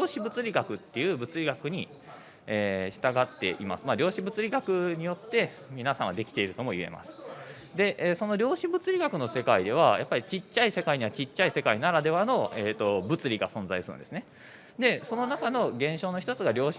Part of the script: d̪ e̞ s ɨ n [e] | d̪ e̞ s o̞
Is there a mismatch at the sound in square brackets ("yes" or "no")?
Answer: no